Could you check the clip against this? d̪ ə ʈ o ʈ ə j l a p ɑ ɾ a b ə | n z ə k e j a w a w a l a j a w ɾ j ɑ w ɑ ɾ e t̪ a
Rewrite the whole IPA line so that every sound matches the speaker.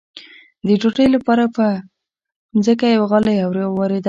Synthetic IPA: d̪ ə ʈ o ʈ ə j l a p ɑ ɾ a p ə | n z ə k a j a w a ɣ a l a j a w ɾ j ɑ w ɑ ɾ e d̪ a